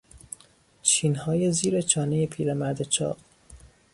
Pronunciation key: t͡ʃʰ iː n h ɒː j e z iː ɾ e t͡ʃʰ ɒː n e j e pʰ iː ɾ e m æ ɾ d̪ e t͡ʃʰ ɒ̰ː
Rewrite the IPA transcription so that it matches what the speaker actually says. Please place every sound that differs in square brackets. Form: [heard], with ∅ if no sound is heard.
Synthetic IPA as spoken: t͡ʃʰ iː n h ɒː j e z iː ɾ e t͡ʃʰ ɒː n e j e pʰ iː ɾ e m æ ɾ d̪ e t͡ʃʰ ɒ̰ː